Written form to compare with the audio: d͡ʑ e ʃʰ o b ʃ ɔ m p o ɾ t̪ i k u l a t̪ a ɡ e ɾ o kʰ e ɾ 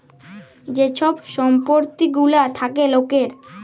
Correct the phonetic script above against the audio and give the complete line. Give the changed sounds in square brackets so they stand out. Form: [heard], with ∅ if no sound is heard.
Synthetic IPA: d͡ʑ e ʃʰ [ɔ] b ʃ ɔ m p o ɾ t̪ i [ɡ] u l a [t̪ʰ] a [k] e [l] o [k] e ɾ

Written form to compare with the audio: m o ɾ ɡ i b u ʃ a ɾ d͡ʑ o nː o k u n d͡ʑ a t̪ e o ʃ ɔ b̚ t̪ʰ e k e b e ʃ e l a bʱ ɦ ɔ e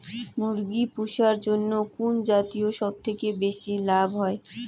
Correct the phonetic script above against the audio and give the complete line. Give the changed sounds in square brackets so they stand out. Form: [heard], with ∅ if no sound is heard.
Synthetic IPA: m [u] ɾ ɡ i [p] u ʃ a ɾ d͡ʑ o nː o k u n d͡ʑ a t̪ [i] o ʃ ɔ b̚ t̪ʰ e k e b e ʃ [i] l a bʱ ɦ ɔ e

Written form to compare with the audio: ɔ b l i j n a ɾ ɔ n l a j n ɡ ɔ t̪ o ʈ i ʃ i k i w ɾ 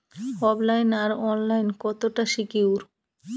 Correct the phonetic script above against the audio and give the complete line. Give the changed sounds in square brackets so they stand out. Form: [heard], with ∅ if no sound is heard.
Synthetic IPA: ɔ b l [a] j n a ɾ ɔ n l a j n [k] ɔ t̪ o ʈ [a] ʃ i k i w ɾ

